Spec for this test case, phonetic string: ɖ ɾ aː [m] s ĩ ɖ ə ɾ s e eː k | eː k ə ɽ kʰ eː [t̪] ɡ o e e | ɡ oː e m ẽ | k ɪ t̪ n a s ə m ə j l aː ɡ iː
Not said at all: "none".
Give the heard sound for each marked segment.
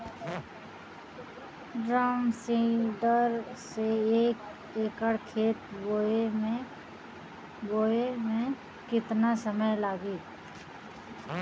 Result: m, t̪

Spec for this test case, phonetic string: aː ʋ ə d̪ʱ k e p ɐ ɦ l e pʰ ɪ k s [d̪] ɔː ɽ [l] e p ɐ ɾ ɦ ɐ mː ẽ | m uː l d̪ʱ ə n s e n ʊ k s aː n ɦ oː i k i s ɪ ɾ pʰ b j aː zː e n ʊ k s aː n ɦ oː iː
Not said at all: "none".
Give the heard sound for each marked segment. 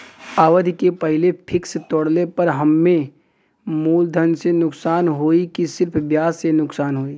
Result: t̪, l

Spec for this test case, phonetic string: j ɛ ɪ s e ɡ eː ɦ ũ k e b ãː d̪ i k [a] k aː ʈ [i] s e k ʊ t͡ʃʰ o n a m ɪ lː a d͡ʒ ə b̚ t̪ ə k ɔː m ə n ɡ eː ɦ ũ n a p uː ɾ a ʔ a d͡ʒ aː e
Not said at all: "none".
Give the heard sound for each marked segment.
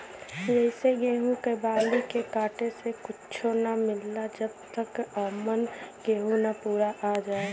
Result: e, e

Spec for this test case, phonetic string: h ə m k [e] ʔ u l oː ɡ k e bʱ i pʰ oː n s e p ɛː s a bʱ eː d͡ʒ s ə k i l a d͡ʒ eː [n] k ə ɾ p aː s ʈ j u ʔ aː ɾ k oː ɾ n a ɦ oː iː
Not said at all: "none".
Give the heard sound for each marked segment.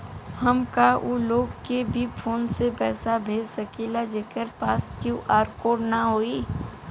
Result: a, none

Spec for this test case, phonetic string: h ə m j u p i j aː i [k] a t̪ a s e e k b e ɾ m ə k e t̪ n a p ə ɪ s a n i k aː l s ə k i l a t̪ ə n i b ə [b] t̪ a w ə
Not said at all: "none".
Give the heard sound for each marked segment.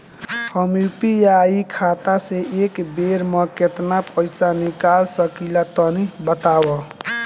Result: kʰ, none

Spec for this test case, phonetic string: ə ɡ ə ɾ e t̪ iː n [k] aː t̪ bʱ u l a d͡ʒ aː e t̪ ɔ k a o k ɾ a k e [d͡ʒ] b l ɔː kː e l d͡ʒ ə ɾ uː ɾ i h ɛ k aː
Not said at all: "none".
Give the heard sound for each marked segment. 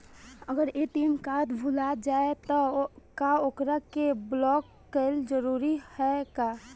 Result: k, none

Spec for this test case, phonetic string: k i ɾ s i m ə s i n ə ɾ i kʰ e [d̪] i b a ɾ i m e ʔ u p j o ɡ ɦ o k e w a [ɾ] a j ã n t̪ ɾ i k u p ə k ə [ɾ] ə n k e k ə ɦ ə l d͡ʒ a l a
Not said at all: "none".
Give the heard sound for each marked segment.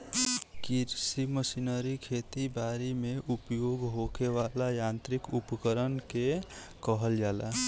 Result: t̪, l, ɾ

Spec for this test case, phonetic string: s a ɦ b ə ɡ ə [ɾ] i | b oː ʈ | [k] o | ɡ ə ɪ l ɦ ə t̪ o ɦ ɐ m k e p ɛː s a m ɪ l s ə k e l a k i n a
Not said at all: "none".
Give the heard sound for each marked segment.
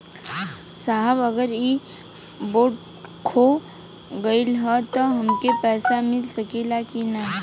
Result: ɾ, kʰ

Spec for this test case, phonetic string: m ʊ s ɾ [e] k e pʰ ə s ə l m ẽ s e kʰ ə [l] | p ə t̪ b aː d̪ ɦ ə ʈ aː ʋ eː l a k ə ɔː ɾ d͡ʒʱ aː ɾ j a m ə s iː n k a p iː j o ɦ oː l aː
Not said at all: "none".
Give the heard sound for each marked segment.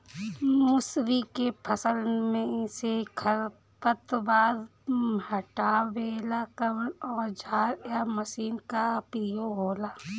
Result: i, ɾ

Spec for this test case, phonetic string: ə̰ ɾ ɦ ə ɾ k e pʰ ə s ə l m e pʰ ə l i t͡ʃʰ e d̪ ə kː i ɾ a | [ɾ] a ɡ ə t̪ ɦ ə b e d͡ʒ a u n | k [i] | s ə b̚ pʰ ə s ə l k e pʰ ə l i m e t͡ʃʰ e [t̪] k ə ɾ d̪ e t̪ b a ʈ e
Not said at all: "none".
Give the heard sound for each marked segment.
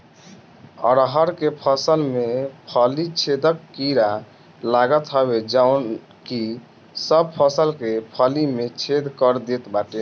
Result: l, i, d̪

